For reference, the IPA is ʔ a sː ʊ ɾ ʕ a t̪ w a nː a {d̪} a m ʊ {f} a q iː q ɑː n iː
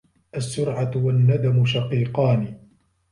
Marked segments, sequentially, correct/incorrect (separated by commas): correct, incorrect